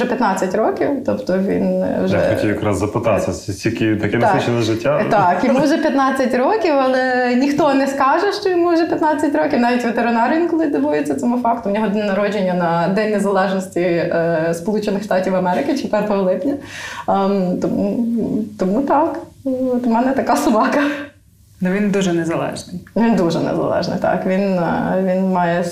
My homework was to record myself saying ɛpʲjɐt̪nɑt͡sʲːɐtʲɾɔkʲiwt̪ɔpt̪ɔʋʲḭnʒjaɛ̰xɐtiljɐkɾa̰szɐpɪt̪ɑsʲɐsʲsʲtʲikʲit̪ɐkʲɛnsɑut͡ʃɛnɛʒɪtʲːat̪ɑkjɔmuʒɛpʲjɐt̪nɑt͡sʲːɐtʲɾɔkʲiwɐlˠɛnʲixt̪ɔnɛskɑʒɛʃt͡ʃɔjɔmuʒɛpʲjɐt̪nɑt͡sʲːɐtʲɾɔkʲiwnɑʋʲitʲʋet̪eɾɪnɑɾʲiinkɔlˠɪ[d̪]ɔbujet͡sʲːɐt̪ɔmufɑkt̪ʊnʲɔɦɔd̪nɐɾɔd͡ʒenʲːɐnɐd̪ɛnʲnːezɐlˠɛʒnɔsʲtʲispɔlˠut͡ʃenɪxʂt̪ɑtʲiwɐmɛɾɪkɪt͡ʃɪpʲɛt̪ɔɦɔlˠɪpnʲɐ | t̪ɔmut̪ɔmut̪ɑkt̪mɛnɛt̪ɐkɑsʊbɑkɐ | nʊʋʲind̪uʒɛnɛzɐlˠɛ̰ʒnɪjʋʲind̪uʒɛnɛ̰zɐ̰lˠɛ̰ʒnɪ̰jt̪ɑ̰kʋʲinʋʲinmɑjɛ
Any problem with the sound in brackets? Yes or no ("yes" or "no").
no